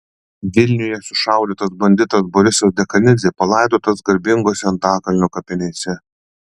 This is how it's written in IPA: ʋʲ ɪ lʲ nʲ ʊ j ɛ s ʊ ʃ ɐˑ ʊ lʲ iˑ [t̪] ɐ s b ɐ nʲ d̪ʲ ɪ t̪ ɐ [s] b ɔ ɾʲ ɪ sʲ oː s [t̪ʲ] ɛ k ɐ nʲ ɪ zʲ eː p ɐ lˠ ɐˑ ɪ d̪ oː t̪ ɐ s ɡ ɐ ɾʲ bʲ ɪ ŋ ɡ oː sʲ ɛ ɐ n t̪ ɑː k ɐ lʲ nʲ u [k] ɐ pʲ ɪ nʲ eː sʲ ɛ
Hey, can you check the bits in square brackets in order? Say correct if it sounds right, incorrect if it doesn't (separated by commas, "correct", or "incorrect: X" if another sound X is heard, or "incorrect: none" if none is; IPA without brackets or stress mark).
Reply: correct, correct, incorrect: d̪ʲ, correct